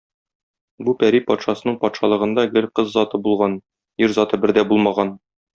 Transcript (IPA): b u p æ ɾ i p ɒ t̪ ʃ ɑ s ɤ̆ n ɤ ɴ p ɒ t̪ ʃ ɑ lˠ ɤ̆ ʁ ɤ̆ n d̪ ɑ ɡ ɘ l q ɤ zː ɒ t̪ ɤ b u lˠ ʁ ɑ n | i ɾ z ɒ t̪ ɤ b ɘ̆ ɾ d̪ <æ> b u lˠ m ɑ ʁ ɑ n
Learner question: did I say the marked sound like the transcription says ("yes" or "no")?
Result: yes